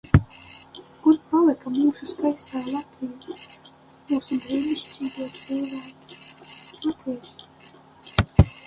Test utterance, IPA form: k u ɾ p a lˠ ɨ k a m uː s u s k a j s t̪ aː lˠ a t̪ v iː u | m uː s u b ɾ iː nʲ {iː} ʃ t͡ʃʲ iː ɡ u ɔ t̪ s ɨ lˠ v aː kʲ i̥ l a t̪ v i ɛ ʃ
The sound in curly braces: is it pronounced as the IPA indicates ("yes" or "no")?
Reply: no